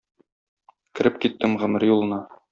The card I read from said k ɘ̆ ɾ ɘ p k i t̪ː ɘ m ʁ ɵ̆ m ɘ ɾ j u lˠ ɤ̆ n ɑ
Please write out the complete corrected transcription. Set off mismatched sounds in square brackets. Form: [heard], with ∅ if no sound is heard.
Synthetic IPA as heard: k ɘ̆ ɾ ɘ p k i t̪ː ɘ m ʁ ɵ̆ m ɘ ɾ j u lˠ ɤ̆ n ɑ